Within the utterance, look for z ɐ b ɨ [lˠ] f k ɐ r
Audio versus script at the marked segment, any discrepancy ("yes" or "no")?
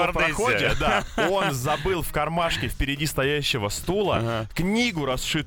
no